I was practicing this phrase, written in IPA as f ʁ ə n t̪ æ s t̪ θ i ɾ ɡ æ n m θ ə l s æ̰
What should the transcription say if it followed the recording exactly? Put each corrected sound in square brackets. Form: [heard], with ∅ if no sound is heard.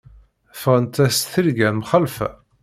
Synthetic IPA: f ʁ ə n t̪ æ s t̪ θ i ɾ ɡ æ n m [χ] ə l [f] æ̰